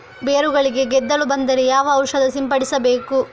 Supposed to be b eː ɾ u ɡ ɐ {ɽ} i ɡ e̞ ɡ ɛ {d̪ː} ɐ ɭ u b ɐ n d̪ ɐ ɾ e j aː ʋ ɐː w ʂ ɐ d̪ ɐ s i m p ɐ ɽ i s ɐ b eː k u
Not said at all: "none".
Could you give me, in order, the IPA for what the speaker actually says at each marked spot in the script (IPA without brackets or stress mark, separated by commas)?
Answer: ɭ, d̪ː